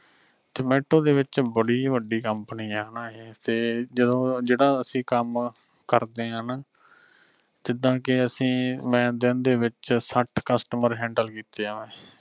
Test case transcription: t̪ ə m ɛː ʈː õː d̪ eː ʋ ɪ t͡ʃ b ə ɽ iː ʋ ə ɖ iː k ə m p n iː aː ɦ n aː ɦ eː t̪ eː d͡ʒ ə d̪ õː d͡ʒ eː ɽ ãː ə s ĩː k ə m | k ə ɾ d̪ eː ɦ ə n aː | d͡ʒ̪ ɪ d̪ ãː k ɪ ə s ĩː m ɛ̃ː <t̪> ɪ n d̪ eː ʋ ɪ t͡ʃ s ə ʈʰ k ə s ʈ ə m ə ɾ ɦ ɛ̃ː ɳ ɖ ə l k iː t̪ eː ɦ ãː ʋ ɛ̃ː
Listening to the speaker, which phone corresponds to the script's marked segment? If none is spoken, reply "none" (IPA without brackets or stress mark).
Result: d̪